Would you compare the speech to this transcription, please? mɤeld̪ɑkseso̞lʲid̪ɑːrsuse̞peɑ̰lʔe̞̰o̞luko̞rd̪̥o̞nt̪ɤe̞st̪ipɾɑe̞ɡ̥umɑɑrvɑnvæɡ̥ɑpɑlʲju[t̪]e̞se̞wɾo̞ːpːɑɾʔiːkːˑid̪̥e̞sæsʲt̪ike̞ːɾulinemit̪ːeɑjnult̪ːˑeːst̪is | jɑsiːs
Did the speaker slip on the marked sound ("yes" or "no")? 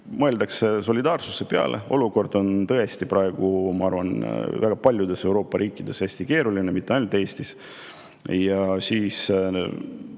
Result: yes